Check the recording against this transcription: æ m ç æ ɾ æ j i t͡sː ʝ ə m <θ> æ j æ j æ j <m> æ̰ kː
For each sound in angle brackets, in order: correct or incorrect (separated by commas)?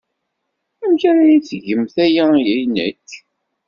correct, incorrect